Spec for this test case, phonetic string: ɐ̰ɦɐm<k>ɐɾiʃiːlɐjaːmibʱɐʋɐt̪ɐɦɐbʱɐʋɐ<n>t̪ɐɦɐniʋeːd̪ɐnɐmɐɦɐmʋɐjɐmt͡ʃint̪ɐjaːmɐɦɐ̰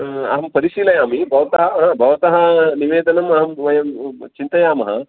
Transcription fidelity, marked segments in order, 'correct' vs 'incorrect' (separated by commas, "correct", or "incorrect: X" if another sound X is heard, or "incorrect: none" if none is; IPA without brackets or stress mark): incorrect: p, incorrect: none